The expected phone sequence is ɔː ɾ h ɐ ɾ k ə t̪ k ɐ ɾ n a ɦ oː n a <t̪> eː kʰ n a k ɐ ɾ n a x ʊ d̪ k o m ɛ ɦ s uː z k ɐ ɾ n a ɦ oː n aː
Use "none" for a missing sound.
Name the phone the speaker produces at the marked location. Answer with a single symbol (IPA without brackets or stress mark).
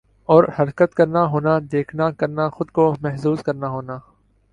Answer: d̪